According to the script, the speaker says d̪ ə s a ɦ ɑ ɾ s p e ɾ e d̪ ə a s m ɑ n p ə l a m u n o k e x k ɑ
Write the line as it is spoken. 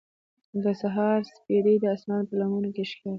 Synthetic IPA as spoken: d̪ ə s a ɦ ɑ ɾ s p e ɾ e d̪ ə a s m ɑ n p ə l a m u n o k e ʃ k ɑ